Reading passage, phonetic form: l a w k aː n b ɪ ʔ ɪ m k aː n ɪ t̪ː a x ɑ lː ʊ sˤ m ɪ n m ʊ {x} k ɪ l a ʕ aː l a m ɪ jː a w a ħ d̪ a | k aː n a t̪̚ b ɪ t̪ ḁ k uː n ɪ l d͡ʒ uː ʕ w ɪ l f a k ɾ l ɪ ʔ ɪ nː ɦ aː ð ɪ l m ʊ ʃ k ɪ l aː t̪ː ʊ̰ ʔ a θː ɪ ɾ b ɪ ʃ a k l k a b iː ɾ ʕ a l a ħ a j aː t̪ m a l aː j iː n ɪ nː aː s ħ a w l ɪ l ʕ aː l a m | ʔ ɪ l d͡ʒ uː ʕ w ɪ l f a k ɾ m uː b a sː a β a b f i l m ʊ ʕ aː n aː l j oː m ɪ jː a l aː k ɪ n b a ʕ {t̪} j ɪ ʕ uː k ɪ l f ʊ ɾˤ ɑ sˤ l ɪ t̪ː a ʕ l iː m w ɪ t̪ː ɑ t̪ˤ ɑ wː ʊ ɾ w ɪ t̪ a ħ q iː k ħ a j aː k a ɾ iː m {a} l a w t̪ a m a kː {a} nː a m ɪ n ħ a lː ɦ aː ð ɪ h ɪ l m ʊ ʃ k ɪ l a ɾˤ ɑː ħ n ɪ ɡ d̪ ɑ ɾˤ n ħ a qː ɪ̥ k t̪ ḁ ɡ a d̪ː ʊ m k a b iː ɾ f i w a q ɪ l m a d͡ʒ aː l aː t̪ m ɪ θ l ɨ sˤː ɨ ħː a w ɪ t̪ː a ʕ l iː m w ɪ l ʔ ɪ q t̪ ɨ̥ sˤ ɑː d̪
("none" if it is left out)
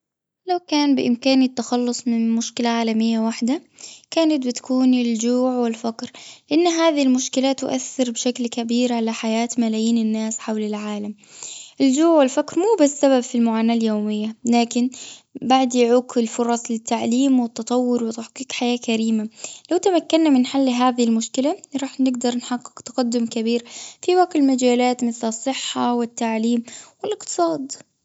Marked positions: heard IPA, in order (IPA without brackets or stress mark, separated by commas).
ʃ, d̪, a, a